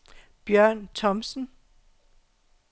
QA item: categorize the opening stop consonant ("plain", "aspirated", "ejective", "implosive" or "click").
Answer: plain